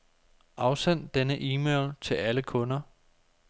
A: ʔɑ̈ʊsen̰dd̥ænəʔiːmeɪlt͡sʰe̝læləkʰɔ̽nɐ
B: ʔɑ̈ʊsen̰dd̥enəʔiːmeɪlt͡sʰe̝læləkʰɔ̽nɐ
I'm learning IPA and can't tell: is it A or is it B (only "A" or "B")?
B